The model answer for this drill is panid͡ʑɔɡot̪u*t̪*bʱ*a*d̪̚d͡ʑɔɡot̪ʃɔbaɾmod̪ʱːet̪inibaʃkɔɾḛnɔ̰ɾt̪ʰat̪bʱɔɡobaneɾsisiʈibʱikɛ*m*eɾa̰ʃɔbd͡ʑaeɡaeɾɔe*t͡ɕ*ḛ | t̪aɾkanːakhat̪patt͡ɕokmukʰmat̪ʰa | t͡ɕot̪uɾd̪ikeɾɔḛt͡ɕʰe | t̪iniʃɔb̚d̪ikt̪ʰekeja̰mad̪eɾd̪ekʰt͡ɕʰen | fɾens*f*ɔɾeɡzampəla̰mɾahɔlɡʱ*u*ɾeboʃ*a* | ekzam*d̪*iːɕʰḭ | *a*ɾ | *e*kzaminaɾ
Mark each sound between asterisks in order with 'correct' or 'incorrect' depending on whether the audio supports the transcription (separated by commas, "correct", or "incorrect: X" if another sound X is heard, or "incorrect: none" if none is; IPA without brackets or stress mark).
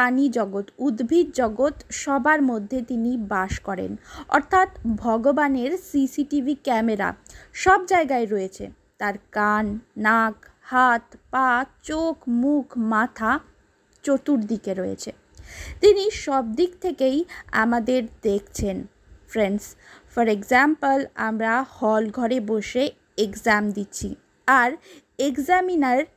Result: incorrect: d̪, incorrect: i, correct, incorrect: t͡ɕʰ, correct, incorrect: ɔ, incorrect: e, correct, correct, correct